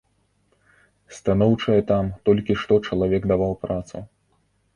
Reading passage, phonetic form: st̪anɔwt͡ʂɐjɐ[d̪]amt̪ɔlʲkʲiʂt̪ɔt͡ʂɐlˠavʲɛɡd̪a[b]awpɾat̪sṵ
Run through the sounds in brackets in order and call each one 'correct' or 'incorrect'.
incorrect: t̪, incorrect: v

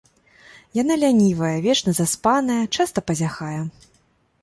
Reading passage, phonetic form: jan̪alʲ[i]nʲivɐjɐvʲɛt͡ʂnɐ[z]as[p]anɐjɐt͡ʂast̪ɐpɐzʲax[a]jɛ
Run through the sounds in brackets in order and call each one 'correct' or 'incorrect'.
incorrect: a, correct, correct, correct

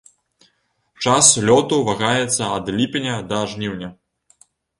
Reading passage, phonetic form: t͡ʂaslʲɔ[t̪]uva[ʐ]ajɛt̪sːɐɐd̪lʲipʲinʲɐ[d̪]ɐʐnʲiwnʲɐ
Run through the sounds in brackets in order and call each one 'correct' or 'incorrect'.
correct, incorrect: ɣ, correct

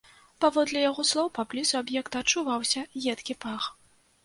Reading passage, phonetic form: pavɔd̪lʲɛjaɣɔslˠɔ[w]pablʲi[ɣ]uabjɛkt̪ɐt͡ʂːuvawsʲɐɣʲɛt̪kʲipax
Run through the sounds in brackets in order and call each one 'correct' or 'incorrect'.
correct, incorrect: z

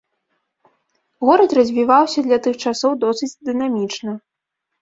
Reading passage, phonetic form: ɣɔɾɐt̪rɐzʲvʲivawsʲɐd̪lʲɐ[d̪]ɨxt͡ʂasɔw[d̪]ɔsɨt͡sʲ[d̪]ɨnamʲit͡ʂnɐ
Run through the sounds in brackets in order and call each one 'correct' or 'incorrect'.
incorrect: t̪, correct, correct

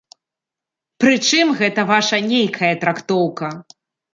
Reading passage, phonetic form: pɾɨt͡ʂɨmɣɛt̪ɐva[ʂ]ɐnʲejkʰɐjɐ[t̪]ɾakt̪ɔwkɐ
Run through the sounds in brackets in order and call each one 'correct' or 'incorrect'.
correct, correct

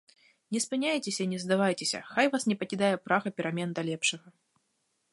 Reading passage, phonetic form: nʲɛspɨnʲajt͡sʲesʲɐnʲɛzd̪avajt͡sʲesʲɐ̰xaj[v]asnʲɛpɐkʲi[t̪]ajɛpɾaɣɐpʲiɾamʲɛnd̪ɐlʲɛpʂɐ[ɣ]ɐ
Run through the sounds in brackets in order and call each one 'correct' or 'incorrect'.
correct, incorrect: d̪, correct

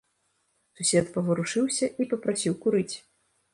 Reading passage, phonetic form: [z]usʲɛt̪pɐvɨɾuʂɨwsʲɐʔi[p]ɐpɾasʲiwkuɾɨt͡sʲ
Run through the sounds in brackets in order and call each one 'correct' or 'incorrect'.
incorrect: s, correct

